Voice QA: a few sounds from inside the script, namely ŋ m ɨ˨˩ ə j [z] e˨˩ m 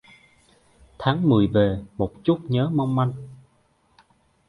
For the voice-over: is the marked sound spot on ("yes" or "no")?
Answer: no